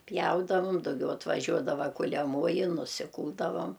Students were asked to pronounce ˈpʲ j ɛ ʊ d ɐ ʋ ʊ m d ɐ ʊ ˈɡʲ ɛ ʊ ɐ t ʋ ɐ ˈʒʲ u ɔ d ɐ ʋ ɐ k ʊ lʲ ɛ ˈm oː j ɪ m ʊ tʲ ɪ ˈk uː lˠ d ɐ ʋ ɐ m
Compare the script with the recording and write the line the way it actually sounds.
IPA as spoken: ˈpʲ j ɛ ʊ d ɐ ʋ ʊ m d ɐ ʊ ˈɡʲ ɛ ʊ ɐ t ʋ ɐ ˈʒʲ u ɔ d ɐ ʋ ɐ k ʊ lʲ ɛ ˈm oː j ɪ n ʊ sʲ ɪ ˈk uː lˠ d ɐ ʋ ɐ m